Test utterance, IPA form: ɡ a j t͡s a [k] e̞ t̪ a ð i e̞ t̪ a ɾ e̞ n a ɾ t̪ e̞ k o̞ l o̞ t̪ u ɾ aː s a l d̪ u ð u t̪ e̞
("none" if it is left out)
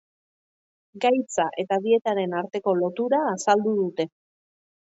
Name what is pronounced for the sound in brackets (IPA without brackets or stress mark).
ʔ